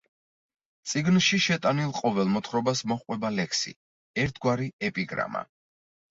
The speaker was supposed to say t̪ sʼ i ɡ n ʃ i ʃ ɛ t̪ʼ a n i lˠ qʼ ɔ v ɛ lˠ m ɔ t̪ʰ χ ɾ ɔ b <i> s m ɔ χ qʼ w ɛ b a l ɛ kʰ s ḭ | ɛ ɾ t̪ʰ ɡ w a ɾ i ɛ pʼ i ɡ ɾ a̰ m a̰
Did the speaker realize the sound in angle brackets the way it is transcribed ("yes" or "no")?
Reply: no